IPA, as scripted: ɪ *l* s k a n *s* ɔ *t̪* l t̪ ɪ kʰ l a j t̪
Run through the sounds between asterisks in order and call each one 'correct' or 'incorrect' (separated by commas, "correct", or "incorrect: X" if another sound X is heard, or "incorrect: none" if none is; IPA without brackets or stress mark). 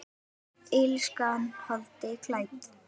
correct, incorrect: h, incorrect: none